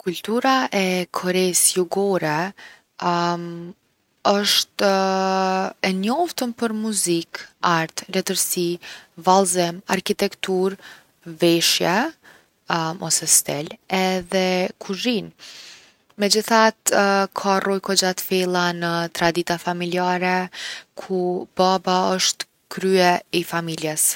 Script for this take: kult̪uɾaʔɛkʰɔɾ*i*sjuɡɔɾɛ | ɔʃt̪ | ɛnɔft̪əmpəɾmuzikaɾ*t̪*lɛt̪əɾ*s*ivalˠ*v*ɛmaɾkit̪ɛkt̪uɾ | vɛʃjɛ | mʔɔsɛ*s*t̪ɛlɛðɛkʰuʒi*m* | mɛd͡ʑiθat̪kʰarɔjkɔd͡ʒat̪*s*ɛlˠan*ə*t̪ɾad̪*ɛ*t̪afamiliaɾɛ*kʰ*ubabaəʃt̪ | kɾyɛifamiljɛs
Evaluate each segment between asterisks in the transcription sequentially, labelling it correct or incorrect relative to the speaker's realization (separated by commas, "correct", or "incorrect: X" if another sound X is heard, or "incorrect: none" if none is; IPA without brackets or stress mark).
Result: incorrect: ɛ, correct, correct, incorrect: z, correct, incorrect: n, incorrect: f, correct, incorrect: i, correct